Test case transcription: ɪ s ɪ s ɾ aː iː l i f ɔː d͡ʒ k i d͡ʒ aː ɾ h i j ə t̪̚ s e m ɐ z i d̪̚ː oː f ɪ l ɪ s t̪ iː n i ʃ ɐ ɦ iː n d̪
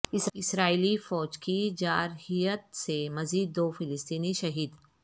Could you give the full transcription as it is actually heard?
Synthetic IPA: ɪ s ɪ s ɾ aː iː l i f ɔː d͡ʒ k i d͡ʒ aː ɾ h i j ə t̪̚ s e m ɐ z iː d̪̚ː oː f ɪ l ɪ s t̪ iː n i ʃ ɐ ɦ iː d̪